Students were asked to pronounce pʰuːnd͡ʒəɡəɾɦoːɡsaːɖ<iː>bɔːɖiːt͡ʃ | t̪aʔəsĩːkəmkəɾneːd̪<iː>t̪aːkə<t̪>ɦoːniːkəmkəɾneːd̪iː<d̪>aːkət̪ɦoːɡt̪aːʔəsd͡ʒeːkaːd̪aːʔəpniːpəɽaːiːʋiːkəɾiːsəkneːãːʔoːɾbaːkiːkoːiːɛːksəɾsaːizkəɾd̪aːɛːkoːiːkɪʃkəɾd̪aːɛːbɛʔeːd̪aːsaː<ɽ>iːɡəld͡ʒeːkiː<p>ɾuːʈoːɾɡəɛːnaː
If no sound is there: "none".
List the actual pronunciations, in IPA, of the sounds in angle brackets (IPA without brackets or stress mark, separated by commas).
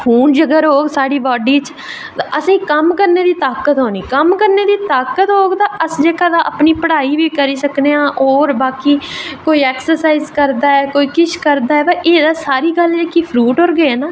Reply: iː, iː, t̪, t̪, ɾ, pʰ